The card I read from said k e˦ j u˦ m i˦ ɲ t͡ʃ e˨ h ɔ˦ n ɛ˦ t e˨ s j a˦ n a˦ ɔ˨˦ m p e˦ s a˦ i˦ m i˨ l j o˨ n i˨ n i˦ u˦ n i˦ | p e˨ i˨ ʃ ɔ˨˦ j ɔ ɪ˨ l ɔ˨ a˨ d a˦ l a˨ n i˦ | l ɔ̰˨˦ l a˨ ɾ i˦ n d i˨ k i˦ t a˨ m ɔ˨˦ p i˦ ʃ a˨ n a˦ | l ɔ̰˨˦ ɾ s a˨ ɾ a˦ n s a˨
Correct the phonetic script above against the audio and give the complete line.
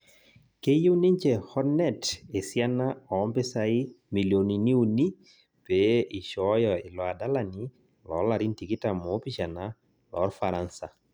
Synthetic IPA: k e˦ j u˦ n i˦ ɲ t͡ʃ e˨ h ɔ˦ n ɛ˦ t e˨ s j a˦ n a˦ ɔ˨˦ m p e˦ s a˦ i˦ m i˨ l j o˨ n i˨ n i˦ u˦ n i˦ | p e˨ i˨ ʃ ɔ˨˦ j ɔ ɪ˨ l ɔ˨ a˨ d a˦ l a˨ n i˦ | l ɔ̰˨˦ l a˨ ɾ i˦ n t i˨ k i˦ t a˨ m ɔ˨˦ p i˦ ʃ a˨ n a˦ | l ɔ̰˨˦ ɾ f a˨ ɾ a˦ n s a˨